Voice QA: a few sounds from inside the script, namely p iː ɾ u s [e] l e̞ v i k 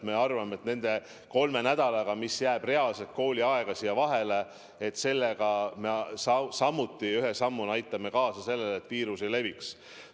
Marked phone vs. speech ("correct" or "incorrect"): correct